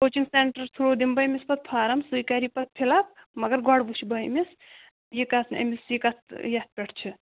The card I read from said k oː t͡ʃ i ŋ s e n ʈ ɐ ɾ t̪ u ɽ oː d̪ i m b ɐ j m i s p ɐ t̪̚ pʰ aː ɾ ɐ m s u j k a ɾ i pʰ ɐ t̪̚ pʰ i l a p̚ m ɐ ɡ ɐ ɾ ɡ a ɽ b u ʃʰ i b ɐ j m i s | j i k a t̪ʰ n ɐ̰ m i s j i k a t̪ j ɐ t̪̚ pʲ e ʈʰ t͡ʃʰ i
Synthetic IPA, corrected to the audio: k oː t͡ʃ i ŋ s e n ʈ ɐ ɾ t̪ʰ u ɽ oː d̪ i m b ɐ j m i s p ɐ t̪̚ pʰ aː ɾ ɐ m s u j k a ɾ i p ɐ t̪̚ pʰ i l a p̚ m ɐ ɡ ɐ ɾ ɡ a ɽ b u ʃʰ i b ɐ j m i s | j i k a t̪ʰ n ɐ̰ m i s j i k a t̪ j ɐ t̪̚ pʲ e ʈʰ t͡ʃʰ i